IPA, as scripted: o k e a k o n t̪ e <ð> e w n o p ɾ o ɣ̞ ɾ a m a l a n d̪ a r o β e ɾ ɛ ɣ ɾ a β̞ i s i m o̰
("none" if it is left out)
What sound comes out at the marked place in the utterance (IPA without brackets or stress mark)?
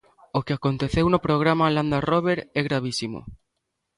θ